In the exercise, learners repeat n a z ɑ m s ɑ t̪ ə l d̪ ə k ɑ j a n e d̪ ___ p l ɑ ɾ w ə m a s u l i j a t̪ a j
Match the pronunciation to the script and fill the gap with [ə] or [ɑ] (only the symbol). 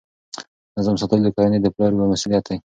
ə